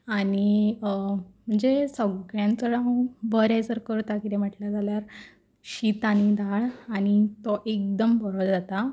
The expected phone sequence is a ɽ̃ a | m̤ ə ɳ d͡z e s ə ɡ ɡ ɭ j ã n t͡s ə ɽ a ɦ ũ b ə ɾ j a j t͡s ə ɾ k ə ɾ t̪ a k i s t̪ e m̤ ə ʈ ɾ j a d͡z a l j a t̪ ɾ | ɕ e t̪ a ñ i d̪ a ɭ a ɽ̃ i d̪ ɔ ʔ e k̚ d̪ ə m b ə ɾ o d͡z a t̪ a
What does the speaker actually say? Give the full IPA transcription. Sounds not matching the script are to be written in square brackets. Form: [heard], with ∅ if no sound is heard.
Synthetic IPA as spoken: a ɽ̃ [i] | m̤ ə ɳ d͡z e s ə ɡ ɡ ɭ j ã n t͡s ə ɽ a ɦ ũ b ə ɾ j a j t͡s ə ɾ k ə ɾ t̪ a k i [∅] t̪ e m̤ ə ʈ [l] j a d͡z a l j a [∅] ɾ | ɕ [i] t̪ a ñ i d̪ a ɭ a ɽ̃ i [t̪] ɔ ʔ e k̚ d̪ ə m b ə ɾ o d͡z a t̪ a